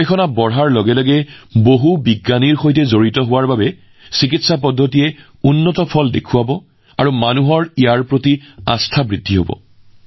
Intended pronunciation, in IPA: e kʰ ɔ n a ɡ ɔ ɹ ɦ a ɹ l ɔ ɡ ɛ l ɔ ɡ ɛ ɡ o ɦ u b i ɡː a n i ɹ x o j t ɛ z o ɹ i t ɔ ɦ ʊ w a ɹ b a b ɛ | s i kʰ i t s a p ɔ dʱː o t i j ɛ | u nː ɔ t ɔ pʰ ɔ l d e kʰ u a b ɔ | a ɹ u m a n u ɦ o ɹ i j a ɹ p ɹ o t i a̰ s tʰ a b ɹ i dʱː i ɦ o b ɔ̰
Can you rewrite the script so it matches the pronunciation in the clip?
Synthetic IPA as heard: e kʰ ɔ n a b ɔ ɹ ɦ a ɹ l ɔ ɡ ɛ l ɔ ɡ ɛ b o ɦ u b i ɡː a n i ɹ x o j t ɛ z o ɹ i t ɔ ɦ ʊ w a ɹ b a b ɛ | s i k i t s a p ɔ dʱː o t i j ɛ | u nː ɔ t ɔ pʰ ɔ l d e kʰ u a b ɔ | a ɹ u m a n u ɦ ɔ ɹ i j a ɹ p ɹ o t i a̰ s tʰ a b ɹ i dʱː i ɦ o b ɔ̰